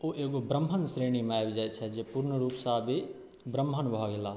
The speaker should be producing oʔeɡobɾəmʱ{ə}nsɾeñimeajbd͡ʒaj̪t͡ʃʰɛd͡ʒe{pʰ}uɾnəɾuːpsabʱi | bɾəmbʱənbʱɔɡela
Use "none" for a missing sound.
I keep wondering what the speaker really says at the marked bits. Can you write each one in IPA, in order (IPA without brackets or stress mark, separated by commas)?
ə, p